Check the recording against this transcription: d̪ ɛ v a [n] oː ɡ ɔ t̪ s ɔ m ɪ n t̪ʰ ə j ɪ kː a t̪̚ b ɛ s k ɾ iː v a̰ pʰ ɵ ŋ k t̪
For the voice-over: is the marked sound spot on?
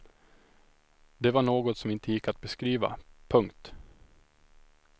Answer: no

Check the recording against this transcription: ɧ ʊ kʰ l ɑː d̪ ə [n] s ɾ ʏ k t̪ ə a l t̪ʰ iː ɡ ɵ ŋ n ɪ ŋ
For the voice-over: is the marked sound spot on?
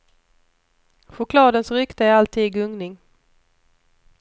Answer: yes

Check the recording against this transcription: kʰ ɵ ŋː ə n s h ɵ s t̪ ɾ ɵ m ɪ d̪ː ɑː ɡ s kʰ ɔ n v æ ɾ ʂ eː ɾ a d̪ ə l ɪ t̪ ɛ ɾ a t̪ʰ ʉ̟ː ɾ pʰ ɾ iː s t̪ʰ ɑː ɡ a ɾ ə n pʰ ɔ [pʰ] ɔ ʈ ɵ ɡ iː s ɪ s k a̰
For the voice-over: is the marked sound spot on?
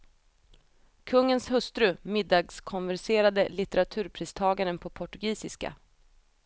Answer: yes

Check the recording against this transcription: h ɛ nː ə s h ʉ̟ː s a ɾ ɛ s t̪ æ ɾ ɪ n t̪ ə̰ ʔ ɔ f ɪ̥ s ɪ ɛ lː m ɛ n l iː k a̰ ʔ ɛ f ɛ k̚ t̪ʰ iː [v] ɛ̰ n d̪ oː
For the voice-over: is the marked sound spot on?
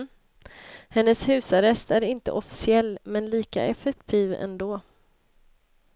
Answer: yes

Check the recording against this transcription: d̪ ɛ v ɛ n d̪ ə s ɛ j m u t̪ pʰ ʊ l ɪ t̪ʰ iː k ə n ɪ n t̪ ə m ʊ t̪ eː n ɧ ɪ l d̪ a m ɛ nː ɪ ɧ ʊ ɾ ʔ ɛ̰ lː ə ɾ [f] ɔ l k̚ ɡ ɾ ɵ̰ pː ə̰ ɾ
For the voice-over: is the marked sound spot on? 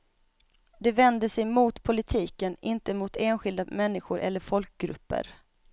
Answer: yes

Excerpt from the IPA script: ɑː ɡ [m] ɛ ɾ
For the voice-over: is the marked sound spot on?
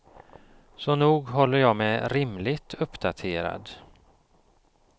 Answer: yes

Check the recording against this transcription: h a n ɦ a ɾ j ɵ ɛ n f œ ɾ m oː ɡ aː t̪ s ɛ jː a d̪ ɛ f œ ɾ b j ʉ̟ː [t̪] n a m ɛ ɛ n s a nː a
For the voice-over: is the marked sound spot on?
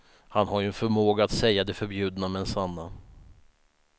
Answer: no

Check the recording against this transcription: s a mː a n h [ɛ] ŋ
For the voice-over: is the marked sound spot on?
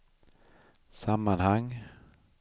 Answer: no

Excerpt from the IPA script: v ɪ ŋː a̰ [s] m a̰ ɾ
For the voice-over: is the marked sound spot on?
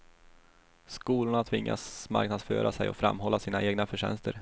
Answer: yes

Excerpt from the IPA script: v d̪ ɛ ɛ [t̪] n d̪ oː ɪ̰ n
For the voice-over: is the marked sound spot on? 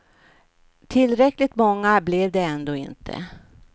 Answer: no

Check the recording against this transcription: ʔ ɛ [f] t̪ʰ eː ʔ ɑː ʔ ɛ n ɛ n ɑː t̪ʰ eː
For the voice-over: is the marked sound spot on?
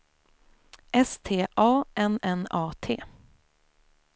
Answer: no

